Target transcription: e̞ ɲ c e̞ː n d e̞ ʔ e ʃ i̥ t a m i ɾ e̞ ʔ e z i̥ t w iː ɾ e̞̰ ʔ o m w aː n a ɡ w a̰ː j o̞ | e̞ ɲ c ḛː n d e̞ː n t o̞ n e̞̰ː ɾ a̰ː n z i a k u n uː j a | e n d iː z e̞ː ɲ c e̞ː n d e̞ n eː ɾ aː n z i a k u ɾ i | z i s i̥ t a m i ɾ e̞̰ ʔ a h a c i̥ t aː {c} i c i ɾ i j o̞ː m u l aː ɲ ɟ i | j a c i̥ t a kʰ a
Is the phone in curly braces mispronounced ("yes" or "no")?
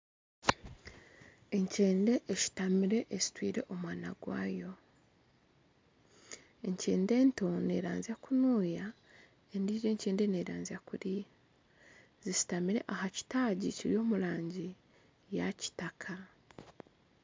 yes